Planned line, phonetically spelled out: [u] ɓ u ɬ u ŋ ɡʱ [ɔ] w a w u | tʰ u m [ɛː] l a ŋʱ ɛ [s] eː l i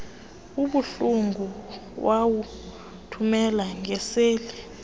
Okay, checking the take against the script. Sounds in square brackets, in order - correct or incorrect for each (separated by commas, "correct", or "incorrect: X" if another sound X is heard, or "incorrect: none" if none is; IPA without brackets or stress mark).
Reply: correct, incorrect: u, incorrect: ɛ, correct